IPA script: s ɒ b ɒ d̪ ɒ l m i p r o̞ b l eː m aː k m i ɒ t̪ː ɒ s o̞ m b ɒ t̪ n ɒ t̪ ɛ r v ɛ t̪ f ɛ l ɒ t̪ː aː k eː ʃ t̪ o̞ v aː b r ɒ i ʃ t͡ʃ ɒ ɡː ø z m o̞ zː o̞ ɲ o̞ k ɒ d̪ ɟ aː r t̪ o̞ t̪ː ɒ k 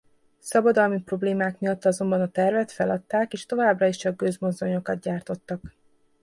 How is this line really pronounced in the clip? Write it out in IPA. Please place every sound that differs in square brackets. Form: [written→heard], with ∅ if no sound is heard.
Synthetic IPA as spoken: s ɒ b ɒ d̪ ɒ l m i p r o̞ b l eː m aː k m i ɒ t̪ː ɒ [s→z] o̞ m b ɒ [t̪→∅] n ɒ t̪ ɛ r v ɛ t̪ f ɛ l ɒ t̪ː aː k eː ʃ t̪ o̞ v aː b r ɒ i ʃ t͡ʃ ɒ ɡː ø z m o̞ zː o̞ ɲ o̞ k ɒ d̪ ɟ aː r t̪ o̞ t̪ː ɒ k